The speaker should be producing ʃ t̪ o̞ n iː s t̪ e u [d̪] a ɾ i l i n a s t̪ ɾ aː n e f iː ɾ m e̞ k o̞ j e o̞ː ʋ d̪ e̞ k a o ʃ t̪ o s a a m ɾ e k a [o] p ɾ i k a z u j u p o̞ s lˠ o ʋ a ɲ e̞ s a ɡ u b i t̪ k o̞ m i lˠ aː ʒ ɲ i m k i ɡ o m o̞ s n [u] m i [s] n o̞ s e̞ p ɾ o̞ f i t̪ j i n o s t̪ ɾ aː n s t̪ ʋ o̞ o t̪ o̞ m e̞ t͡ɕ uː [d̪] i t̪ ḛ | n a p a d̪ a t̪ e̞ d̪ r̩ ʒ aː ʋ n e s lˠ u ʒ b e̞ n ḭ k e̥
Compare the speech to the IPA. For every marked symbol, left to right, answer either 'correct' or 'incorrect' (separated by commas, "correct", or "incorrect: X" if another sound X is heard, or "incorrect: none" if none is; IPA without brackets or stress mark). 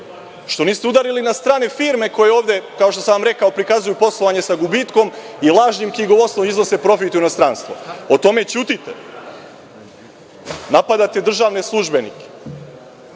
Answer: correct, correct, incorrect: o, incorrect: z, incorrect: t̪